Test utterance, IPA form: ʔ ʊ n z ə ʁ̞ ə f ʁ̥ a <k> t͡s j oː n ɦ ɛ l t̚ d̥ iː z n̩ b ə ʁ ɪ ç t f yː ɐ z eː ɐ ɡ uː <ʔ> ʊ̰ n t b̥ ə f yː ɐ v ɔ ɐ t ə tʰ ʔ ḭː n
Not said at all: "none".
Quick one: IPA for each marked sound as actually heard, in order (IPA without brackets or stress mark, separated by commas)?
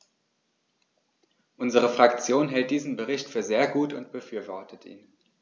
k, t